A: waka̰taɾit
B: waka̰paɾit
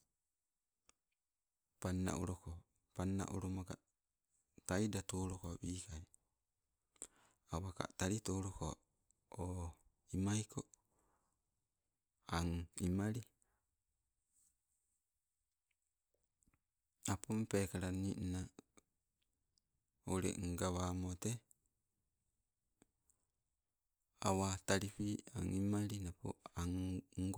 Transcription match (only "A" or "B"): A